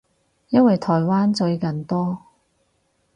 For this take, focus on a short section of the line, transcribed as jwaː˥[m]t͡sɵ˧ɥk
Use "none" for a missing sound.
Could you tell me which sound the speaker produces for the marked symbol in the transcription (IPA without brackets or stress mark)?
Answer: n